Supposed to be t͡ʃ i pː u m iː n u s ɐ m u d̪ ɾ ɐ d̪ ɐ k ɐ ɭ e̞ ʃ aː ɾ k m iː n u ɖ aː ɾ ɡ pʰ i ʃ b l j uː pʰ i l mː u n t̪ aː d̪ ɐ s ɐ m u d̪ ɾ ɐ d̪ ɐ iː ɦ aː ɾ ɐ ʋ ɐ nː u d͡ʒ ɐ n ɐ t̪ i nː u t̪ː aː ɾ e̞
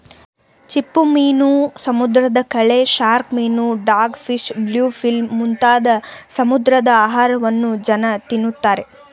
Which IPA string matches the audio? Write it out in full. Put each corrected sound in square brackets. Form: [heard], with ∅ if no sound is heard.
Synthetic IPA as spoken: t͡ʃ i pː u m iː n u s ɐ m u d̪ ɾ ɐ d̪ ɐ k ɐ ɭ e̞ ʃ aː ɾ k m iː n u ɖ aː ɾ ɡ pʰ i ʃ b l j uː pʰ i l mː u n t̪ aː d̪ ɐ s ɐ m u d̪ ɾ ɐ d̪ ɐ [aː] ɦ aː ɾ ɐ ʋ ɐ nː u d͡ʒ ɐ n ɐ t̪ i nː u t̪ː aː ɾ e̞